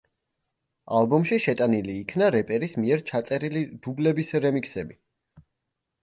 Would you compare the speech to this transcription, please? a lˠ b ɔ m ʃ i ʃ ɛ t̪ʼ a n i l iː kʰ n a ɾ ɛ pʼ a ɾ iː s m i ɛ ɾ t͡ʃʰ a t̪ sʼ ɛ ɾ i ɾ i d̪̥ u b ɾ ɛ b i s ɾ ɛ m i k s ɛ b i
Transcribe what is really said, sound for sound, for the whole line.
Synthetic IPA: a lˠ b ɔ m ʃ i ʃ ɛ t̪ʼ a n i l iː kʰ n a ɾ ɛ pʼ ɛ ɾ i s m i ɛ ɾ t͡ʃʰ a t̪ sʼ ɛ ɾ i l i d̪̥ u b l ɛ b i s ɾ ɛ m i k s ɛ b i

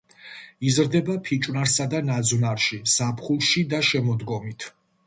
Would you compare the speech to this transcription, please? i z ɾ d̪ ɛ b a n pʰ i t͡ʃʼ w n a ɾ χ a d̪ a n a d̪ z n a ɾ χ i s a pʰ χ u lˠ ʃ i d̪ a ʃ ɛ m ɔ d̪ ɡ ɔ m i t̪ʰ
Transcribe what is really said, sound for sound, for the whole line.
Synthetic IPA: i z ɾ d̪ ɛ b a pʰ i t͡ʃʼ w n a ɾ s a d̪ a n a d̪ z n a ɾ ʃ i s a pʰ χ u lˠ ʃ i d̪ a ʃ ɛ m ɔ d̪ ɡ ɔ m i t̪ʰ

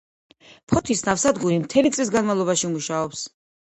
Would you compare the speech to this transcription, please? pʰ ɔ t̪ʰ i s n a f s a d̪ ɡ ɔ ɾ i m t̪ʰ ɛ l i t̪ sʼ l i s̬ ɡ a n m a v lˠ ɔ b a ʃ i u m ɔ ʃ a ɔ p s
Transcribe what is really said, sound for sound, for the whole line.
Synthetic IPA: pʰ ɔ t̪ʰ i s n a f s a d̪ ɡ u ɾ i m t̪ʰ ɛ l i t̪ sʼ l i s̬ ɡ a n m a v lˠ ɔ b a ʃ i u m u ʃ a ɔ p s

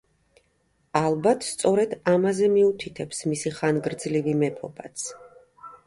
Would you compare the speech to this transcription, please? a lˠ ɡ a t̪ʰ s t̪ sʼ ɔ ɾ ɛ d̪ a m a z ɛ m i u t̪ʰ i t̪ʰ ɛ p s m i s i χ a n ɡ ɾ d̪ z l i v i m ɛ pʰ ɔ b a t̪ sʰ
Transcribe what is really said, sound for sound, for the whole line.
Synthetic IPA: a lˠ b a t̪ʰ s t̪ sʼ ɔ ɾ ɛ d̪ a m a z ɛ m i u t̪ʰ i t̪ʰ ɛ p s m i s i χ a n ɡ ɾ d̪ z l i v i m ɛ pʰ ɔ b a t̪ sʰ

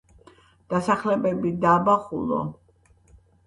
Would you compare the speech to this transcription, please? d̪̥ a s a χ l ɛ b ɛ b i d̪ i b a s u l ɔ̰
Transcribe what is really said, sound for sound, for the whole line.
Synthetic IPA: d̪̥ a s a χ l ɛ b ɛ b i d̪ a b a χ u l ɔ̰

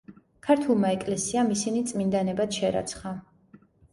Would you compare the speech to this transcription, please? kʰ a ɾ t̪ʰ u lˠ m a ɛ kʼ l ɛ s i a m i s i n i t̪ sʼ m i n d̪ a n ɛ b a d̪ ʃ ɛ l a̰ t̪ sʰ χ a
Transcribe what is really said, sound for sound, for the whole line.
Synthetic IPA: kʰ a ɾ t̪ʰ u lˠ m a ɛ kʼ l ɛ s i a m i s i n i t̪ sʼ m i n d̪ a n ɛ b a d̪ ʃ ɛ ɾ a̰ t̪ sʰ χ a

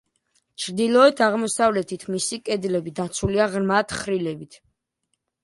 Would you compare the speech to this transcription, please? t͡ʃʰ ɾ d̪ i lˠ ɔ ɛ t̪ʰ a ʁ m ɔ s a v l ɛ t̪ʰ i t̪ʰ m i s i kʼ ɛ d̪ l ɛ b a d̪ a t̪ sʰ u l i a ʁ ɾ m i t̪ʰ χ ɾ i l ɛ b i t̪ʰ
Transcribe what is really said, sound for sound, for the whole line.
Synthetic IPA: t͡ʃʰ ɾ d̪ i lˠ ɔ ɛ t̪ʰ a ʁ m ɔ s a v l ɛ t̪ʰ i t̪ʰ m i s i kʼ ɛ d̪ l ɛ b i d̪ a t̪ sʰ u l i a ʁ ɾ m a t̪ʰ χ ɾ i l ɛ b i t̪ʰ

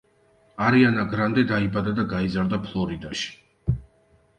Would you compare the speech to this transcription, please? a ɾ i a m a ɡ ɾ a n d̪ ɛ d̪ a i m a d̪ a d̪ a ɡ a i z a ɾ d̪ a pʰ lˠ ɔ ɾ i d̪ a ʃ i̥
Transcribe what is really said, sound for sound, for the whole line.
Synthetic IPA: a ɾ i a n a ɡ ɾ a n d̪ ɛ d̪ a i b a d̪ a d̪ a ɡ a i z a ɾ d̪ a pʰ lˠ ɔ ɾ i d̪ a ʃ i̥

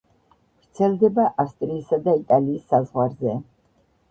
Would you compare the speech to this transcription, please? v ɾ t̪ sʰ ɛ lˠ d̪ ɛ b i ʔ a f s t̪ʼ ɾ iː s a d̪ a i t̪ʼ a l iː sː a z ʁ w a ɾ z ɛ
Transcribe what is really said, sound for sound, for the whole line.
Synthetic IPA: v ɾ t̪ sʰ ɛ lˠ d̪ ɛ b a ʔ a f s t̪ʼ ɾ iː s a d̪ a i t̪ʼ a l iː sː a z ʁ w a ɾ z ɛ

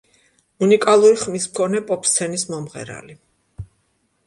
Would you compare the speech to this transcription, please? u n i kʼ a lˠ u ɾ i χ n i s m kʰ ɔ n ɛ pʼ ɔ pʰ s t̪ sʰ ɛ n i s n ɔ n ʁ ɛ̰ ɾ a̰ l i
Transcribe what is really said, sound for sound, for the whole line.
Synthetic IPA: u n i kʼ a lˠ u ɾ i χ m i s m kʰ ɔ n ɛ pʼ ɔ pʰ s t̪ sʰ ɛ n i s m ɔ m ʁ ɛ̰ ɾ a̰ l i

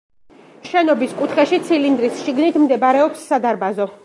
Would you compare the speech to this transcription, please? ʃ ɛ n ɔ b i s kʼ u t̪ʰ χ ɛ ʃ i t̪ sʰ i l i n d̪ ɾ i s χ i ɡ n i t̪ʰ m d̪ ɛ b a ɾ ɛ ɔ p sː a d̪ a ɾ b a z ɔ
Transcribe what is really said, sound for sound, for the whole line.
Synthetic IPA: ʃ ɛ n ɔ b i s kʼ u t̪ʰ χ ɛ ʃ i t̪ sʰ i l i n d̪ ɾ i s ʃ i ɡ n i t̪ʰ m d̪ ɛ b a ɾ ɛ ɔ p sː a d̪ a ɾ b a z ɔ

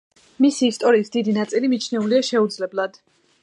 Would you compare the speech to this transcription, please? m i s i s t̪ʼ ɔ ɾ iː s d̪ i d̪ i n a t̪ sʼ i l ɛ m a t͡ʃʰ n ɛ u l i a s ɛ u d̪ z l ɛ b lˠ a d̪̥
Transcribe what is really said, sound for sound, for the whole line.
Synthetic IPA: m i s iː s t̪ʼ ɔ ɾ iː s d̪ i d̪ i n a t̪ sʼ i l i m i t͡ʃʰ n ɛ u l i a ʃ ɛ u d̪ z l ɛ b lˠ a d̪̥

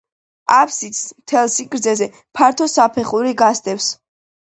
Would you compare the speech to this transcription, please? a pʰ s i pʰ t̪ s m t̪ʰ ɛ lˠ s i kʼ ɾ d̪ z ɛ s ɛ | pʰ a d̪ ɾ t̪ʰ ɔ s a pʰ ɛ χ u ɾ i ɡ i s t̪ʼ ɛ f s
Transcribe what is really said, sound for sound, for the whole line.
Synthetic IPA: a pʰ s i t̪ s m t̪ʰ ɛ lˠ s i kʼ ɾ d̪ z ɛ z ɛ | pʰ a ɾ t̪ʰ ɔ s a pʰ ɛ χ u ɾ i ɡ a s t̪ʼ ɛ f s

